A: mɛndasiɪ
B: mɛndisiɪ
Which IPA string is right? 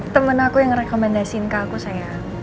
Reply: A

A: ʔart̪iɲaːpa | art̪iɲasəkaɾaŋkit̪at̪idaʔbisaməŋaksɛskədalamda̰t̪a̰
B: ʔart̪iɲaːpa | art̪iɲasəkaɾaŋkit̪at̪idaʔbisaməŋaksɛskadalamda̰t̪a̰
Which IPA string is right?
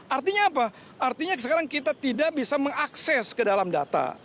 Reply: A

